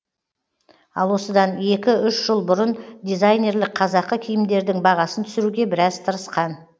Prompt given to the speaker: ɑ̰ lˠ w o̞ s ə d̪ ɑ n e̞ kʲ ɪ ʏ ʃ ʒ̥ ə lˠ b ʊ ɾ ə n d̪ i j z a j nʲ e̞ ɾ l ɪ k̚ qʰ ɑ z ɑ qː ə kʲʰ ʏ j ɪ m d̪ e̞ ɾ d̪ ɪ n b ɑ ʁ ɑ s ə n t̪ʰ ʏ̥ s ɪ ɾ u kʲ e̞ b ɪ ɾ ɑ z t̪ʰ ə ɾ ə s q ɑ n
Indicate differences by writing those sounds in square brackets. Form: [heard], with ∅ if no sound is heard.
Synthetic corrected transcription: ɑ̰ lˠ w o̞ s ə d̪ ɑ n e̞ kʲ ɪ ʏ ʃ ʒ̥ ə lˠ b ʊ ɾ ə n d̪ i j z a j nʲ e̞ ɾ l ɪ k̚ qʰ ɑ z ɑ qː ə kʲʰ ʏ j ɪ m d̪ e̞ ɾ d̪ ɪ [ŋ] b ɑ ʁ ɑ s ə n t̪ʰ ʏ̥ s ɪ ɾ u [ɡʲ] e̞ b ɪ ɾ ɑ z t̪ʰ ə ɾ ə s q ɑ n